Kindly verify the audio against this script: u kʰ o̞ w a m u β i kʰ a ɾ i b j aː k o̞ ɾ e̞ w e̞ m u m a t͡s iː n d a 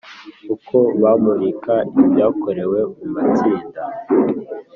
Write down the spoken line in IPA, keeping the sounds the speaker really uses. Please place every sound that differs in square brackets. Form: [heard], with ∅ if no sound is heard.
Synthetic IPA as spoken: u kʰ o̞ [β] a m u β i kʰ a [∅] i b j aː k o̞ ɾ e̞ w e̞ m u m a t͡s iː n d a